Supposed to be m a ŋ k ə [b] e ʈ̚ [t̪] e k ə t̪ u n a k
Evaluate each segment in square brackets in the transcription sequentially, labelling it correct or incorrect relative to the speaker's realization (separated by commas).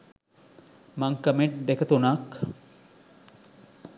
incorrect, incorrect